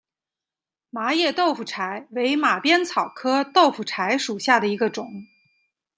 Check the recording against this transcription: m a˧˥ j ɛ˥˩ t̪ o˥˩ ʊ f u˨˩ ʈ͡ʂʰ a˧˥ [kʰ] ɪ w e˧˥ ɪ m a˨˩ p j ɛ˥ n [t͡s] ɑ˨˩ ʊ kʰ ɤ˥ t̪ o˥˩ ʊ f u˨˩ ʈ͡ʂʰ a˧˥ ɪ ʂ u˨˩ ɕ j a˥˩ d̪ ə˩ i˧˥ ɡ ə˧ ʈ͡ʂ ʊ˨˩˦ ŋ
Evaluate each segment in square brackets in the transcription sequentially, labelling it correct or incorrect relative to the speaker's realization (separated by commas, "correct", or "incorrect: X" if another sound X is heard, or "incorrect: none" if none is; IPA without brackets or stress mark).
incorrect: none, incorrect: t͡sʰ